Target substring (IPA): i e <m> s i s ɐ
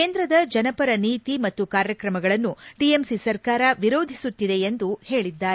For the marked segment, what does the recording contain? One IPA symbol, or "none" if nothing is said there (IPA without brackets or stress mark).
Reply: m